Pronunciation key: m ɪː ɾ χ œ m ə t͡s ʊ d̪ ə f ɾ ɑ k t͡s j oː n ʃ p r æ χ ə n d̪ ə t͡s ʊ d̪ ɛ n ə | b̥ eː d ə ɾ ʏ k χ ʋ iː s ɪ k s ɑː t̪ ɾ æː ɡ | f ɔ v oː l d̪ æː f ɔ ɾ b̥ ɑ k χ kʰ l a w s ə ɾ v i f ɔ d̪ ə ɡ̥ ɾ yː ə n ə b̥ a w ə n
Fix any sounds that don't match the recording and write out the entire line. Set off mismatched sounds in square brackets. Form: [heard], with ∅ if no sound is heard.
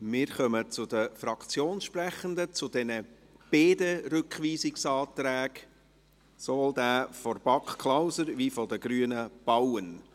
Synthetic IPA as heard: m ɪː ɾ χ œ m ə t͡s ʊ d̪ ə f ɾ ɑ k t͡s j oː n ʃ p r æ χ ə n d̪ ə t͡s ʊ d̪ ɛ n ə | b̥ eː d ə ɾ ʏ k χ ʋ iː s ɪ k s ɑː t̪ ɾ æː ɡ | [s] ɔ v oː l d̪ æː f ɔ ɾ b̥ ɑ k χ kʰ l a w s ə ɾ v i f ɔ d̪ ə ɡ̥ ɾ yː ə n ə b̥ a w ə n

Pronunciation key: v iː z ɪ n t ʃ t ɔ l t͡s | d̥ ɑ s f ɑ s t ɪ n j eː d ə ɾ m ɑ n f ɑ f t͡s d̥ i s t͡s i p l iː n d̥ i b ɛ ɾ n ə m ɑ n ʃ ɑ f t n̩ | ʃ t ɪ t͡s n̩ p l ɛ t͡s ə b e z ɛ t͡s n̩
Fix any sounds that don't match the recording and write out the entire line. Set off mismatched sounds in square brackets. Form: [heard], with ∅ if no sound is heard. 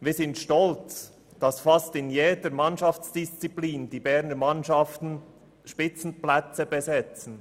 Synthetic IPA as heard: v iː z ɪ n t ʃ t ɔ l t͡s | d̥ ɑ s f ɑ s t ɪ n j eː d ə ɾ m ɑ n [ʃ] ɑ f t͡s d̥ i s t͡s i p l iː n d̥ i b ɛ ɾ n ə m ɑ n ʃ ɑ f t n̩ | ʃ [p] ɪ t͡s n̩ p l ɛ t͡s ə b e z ɛ t͡s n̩

